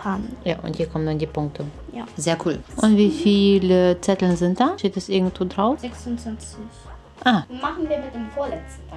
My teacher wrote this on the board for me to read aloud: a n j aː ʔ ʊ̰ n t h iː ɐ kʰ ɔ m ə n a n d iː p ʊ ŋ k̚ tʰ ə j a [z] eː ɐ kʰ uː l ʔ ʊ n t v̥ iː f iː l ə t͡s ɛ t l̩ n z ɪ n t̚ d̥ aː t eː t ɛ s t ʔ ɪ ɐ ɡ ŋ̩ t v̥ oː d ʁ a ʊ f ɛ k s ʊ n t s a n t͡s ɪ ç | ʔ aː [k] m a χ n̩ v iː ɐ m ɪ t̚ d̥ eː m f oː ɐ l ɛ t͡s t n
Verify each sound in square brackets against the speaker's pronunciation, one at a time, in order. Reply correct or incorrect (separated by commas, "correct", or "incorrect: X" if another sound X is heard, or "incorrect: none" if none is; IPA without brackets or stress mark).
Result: correct, incorrect: none